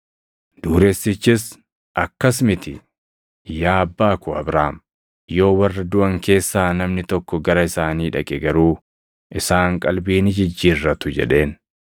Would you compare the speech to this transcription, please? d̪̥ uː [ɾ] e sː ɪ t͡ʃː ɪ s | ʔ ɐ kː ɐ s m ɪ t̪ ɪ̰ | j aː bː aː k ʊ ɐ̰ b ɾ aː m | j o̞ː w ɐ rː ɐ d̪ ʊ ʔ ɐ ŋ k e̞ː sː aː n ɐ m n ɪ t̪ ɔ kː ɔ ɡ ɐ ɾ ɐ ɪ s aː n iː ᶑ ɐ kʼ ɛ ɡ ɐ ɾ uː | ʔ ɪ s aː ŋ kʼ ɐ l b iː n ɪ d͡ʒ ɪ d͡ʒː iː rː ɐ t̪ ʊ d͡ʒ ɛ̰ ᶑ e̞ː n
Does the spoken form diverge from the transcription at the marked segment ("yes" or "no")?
no